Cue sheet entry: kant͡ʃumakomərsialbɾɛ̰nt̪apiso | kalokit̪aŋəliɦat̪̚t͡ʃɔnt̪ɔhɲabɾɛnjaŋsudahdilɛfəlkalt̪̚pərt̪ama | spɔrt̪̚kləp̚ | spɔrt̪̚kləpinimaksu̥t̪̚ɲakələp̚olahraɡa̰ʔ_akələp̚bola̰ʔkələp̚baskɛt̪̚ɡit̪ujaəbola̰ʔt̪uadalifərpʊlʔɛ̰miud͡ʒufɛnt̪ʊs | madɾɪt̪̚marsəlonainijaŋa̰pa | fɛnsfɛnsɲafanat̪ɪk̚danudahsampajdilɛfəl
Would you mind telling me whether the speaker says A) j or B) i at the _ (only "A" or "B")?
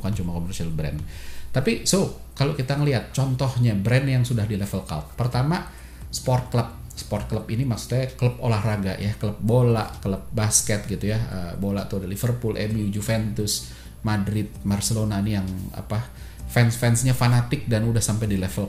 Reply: A